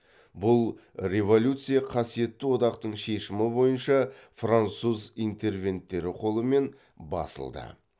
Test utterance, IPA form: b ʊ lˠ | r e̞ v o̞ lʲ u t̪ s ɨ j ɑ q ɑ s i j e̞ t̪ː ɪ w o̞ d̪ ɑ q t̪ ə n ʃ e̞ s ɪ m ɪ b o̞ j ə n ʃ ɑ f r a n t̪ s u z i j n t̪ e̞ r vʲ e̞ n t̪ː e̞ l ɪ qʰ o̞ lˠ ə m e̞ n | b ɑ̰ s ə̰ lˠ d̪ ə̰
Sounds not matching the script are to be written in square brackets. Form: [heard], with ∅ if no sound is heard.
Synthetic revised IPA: b ʊ lˠ | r e̞ v o̞ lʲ u t̪ s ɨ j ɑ [qʰ] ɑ s i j e̞ t̪ː ɪ w o̞ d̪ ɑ q t̪ ə [ɴ] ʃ e̞ [ʃ] ɪ m ɪ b o̞ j ə n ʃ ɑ f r a n t̪ s u z i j n t̪ e̞ r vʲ e̞ n t̪ː e̞ [ɾ] ɪ qʰ o̞ lˠ ə m e̞ n | b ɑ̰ s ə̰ lˠ d̪ ə̰

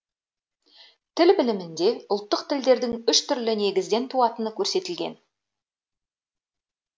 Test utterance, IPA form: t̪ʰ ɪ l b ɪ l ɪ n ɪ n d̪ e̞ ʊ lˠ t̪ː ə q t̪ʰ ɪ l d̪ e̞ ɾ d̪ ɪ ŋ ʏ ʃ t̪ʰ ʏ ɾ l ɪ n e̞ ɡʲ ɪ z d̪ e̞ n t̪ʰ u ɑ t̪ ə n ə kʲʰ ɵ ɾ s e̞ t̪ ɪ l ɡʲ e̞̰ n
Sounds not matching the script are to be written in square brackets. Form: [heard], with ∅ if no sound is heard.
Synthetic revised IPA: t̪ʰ ɪ l b ɪ l ɪ [m] ɪ n d̪ e̞ ʊ lˠ t̪ː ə q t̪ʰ ɪ l d̪ e̞ ɾ d̪ ɪ ŋ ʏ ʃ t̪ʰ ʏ ɾ l ɪ n e̞ ɡʲ ɪ z d̪ e̞ n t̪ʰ u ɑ t̪ ə n ə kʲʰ ɵ ɾ s e̞ t̪ ɪ l ɡʲ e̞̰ n

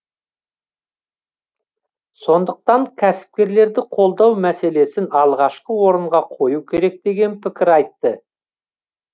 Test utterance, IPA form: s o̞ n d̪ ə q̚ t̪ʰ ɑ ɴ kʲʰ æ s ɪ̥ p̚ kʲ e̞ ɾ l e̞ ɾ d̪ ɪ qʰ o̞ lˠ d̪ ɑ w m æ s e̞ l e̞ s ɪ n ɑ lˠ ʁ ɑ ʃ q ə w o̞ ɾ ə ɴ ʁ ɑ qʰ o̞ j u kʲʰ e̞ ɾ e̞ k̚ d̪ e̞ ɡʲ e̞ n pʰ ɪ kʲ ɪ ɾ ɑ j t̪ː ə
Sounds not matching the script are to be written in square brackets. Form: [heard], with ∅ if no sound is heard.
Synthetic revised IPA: s o̞ n d̪ ə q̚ [t̪] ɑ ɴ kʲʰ æ s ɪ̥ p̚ kʲ e̞ ɾ l e̞ ɾ d̪ ɪ qʰ o̞ lˠ d̪ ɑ w m æ s e̞ l e̞ s ɪ n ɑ lˠ ʁ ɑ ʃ q ə w o̞ ɾ ə ɴ ʁ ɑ qʰ o̞ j u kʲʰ e̞ ɾ e̞ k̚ d̪ e̞ ɡʲ e̞ n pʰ ɪ kʲ ɪ ɾ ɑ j t̪ː ə

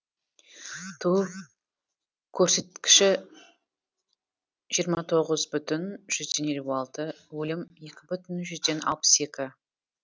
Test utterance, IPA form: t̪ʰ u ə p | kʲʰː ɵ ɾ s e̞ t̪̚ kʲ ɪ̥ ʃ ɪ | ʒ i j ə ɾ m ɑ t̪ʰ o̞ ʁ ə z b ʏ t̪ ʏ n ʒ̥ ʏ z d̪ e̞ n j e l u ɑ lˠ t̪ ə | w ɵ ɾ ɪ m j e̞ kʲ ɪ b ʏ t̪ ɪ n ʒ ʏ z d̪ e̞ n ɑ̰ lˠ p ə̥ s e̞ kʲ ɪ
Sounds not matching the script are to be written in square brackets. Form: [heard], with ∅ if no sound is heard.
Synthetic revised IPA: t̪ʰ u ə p | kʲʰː ɵ ɾ s e̞ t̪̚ kʲ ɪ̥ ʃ ɪ | ʒ i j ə ɾ m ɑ t̪ʰ o̞ ʁ ə z b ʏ t̪ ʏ n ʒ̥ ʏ z d̪ e̞ n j e l u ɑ lˠ t̪ ə | w ɵ [l] ɪ m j e̞ kʲ ɪ b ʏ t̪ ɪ n ʒ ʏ z d̪ e̞ n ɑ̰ lˠ p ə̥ s e̞ kʲ ɪ

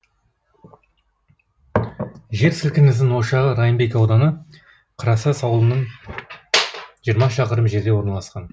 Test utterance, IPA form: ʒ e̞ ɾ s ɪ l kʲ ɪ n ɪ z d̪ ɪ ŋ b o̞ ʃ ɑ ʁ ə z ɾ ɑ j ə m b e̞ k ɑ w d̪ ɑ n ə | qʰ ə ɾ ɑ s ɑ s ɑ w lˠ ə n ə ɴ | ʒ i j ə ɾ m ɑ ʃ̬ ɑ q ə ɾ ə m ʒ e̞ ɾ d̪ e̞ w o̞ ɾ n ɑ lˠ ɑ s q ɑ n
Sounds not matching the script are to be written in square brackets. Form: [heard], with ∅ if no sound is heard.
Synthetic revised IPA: ʒ e̞ ɾ s ɪ l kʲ ɪ n ɪ z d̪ ɪ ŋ [w] o̞ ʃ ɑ ʁ ə [∅] ɾ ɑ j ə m b e̞ k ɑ w d̪ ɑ n ə | qʰ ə ɾ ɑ s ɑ s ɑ w lˠ ə n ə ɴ | ʒ i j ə ɾ m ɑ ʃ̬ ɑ q ə ɾ ə m ʒ e̞ ɾ d̪ e̞ w o̞ ɾ n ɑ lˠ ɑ s q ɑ n

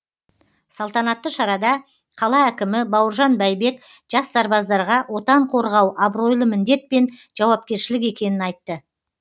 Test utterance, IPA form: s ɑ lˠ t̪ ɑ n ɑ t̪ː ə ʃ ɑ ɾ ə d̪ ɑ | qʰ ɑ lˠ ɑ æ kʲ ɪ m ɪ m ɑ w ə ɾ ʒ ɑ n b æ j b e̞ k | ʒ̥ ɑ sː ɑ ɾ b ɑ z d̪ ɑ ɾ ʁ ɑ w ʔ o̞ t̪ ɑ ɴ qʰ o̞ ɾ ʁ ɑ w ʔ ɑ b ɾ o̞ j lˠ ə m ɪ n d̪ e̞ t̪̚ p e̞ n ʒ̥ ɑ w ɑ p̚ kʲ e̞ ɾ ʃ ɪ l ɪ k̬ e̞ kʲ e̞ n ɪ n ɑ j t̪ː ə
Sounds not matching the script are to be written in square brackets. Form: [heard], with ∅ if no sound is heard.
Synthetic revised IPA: s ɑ lˠ t̪ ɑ n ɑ t̪ː ə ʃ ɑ ɾ [ɑ] d̪ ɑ | qʰ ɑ lˠ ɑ æ kʲ ɪ m ɪ [b] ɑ w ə ɾ ʒ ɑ n b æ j b e̞ k | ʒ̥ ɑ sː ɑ ɾ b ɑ z d̪ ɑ ɾ ʁ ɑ w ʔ o̞ t̪ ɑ ɴ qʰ o̞ ɾ ʁ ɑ w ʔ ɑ b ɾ o̞ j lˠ ə m ɪ n d̪ e̞ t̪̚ p e̞ n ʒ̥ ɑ w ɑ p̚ kʲ e̞ ɾ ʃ ɪ l ɪ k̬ e̞ kʲ e̞ n ɪ n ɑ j t̪ː ə

